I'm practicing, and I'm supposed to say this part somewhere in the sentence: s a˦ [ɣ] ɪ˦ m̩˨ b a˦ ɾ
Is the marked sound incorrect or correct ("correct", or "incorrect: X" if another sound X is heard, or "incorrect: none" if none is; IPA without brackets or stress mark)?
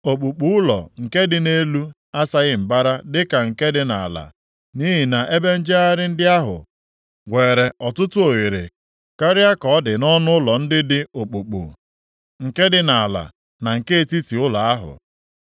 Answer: correct